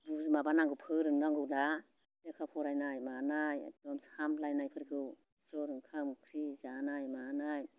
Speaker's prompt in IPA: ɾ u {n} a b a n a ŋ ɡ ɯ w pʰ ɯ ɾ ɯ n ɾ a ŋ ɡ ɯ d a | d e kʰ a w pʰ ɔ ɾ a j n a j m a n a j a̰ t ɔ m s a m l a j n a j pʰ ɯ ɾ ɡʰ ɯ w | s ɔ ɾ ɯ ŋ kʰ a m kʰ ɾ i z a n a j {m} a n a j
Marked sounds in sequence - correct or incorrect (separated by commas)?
incorrect, correct